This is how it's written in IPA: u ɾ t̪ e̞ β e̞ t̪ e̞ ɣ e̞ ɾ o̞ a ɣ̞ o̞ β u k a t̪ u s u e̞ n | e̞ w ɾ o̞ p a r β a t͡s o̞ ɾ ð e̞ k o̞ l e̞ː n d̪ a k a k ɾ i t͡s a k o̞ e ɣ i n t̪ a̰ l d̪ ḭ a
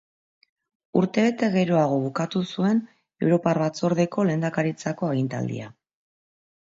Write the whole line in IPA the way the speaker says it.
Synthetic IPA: u ɾ t̪ e̞ β e̞ t̪ e̞ ɣ e̞ ɾ o̞ a ɣ̞ o̞ β u k a t̪ u s u e̞ n | e̞ w ɾ o̞ p a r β a t͡s o̞ ɾ ð e̞ k o̞ l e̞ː n d̪ a k a ɾ i t͡s a k o̞ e ɣ i n t̪ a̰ l d̪ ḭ a